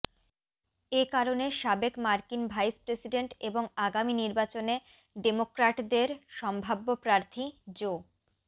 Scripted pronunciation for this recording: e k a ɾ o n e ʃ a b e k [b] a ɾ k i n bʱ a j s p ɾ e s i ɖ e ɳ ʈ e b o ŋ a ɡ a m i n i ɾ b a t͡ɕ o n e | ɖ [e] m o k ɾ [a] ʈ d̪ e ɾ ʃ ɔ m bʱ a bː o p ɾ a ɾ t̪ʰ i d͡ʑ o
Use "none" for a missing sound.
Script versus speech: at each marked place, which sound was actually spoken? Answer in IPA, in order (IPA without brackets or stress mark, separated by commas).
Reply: m, e, a